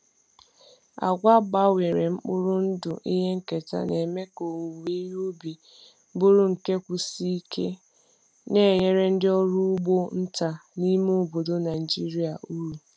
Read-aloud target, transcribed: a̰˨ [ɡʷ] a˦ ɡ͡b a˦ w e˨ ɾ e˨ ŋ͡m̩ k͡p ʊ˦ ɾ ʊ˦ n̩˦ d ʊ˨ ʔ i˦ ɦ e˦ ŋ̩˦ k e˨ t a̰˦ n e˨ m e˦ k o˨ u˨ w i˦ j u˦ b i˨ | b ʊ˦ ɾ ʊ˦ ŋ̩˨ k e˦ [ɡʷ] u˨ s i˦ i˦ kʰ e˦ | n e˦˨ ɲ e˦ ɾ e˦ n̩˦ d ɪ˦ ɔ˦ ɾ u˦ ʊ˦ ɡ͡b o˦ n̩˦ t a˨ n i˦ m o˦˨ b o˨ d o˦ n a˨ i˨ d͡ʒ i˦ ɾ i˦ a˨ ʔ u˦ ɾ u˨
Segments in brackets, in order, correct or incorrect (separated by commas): correct, incorrect